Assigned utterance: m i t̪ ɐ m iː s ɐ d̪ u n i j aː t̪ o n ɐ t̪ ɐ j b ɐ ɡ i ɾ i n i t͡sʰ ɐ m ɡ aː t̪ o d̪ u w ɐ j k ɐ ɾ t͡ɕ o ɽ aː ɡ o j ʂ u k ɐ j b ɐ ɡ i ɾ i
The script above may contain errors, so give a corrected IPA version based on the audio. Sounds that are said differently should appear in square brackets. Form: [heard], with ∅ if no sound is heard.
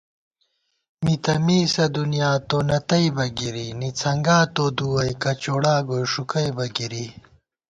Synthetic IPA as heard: m i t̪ ɐ m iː s ɐ d̪ u n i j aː t̪ o n ɐ t̪ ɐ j b ɐ ɡ i ɾ i n i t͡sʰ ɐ [ŋ] ɡ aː t̪ o d̪ u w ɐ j k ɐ [∅] t͡ɕ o ɽ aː ɡ o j ʂ u k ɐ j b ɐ ɡ i ɾ i